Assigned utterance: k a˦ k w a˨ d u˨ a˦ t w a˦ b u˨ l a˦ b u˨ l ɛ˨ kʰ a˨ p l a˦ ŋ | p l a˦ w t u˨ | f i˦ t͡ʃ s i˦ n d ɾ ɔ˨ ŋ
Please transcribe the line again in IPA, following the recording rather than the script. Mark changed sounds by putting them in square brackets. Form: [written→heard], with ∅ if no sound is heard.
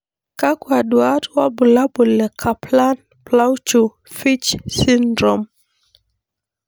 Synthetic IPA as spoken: k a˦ k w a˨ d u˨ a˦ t w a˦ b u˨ l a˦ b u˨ l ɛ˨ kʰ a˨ p l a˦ [ŋ→n] | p l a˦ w [t→t͡ʃ] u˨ | f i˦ t͡ʃ s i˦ n d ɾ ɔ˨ [ŋ→m]